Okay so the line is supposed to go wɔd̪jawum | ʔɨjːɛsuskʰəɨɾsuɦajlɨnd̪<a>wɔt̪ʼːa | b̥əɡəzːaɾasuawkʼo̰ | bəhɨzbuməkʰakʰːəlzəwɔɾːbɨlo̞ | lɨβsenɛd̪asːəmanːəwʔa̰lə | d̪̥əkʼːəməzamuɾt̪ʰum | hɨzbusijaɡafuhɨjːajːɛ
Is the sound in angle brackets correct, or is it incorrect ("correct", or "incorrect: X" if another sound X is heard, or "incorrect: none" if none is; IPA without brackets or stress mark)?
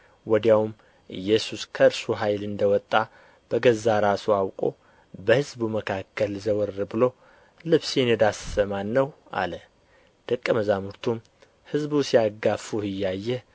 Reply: incorrect: ə